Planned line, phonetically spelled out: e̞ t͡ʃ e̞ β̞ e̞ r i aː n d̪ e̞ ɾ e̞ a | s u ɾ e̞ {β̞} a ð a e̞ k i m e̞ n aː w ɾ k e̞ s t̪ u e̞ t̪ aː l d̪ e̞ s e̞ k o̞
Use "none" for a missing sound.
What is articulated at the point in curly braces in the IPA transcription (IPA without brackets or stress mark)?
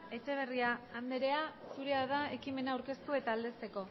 none